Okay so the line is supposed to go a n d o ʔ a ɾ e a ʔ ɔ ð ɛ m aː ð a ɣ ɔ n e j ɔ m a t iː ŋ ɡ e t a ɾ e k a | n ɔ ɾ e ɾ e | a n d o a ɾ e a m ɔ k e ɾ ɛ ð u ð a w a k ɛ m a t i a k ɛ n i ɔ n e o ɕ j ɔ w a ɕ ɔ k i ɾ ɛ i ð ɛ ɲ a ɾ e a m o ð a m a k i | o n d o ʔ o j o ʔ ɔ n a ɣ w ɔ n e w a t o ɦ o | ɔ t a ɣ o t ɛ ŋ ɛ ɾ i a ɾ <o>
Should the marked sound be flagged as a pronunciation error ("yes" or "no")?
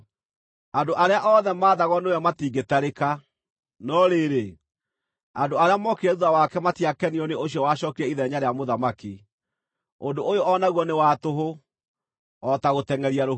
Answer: no